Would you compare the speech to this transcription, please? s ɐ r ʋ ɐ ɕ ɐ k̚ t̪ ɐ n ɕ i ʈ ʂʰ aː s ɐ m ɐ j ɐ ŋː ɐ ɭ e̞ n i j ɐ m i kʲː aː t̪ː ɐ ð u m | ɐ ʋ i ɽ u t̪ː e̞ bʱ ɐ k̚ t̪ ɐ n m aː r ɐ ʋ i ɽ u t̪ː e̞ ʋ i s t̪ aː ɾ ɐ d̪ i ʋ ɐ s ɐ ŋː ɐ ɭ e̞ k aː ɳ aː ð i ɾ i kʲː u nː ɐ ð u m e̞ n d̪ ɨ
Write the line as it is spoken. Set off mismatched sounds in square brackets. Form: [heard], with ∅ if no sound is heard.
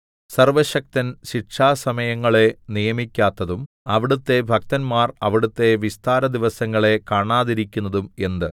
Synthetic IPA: s ɐ r ʋ ɐ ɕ ɐ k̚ t̪ ɐ n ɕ i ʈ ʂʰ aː s ɐ m ɐ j ɐ ŋː ɐ ɭ e̞ n i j ɐ m i kʲː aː t̪ː ɐ ð u m | ɐ ʋ i ɽ u t̪ː e̞ bʱ ɐ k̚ t̪ ɐ n m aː r ɐ ʋ i ɽ u t̪ː e̞ ʋ i s t̪ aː ɾ ɐ d̪ i ʋ ɐ s ɐ ŋː ɐ ɭ e̞ k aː ɳ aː ð i ɾ i kʲː u nː ɐ ð u m e̞ n d̪ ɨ